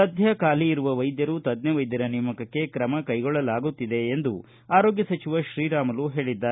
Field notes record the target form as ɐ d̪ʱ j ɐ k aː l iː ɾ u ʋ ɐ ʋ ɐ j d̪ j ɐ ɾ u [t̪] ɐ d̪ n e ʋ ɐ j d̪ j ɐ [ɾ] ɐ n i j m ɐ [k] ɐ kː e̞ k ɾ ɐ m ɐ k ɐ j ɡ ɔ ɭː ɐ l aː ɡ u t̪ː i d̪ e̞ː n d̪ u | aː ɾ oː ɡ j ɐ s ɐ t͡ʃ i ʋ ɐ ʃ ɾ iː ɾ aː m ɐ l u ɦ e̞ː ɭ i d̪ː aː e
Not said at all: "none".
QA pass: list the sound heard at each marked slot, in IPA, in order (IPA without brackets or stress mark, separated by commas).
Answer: t̪, ɾ, k